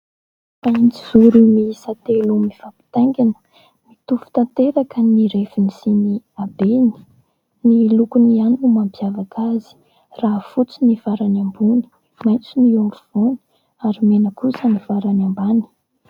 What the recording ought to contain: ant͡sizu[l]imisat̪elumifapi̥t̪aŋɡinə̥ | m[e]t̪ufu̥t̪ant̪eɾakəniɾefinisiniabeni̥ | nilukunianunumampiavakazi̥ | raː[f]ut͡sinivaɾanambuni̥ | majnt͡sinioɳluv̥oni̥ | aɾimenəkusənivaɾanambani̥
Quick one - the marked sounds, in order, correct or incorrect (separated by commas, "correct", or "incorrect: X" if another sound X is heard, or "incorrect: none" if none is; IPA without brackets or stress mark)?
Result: incorrect: ɾ, incorrect: i, correct